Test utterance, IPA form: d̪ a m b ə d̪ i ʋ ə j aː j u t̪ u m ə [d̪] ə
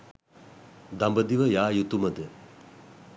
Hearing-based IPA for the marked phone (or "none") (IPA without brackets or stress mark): d̪